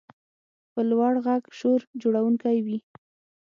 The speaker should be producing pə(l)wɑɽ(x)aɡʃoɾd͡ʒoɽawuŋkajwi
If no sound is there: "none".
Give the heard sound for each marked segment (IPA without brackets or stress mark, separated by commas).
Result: l, ɣ